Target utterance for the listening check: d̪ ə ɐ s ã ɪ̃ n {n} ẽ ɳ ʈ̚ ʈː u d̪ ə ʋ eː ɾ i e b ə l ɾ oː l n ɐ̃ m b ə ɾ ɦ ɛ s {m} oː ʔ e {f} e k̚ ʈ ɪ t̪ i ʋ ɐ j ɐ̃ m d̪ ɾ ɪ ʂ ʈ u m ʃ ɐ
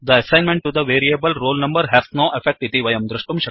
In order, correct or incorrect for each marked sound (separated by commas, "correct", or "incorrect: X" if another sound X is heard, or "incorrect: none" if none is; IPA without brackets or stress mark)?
incorrect: m, incorrect: n, correct